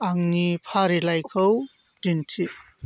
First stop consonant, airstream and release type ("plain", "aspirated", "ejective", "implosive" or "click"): aspirated